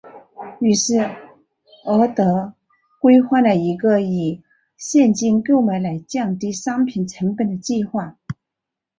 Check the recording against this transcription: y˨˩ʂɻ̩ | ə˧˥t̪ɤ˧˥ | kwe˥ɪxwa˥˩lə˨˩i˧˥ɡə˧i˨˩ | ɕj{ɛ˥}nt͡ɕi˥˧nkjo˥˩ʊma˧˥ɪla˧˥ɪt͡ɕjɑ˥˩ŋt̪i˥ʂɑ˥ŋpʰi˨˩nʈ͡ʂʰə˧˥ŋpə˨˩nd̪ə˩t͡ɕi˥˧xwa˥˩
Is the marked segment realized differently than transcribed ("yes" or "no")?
yes